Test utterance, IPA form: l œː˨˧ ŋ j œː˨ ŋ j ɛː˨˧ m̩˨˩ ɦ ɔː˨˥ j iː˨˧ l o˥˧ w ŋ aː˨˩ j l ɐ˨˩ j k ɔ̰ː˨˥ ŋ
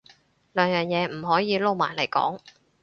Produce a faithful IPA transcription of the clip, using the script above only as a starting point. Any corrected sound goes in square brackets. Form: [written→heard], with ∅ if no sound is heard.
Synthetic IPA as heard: l œː˨˧ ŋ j œː˨ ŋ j ɛː˨˧ m̩˨˩ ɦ ɔː˨˥ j iː˨˧ l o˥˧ w [ŋ→m] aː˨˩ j l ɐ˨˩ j k ɔ̰ː˨˥ ŋ